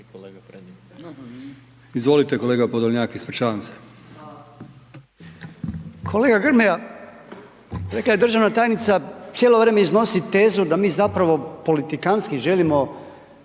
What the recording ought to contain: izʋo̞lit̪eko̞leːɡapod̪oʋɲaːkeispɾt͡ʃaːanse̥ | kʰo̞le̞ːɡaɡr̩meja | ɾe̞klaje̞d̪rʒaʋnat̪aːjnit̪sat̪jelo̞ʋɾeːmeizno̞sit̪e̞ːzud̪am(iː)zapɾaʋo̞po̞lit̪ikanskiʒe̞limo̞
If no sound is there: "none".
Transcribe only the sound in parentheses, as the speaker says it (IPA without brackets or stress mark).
iː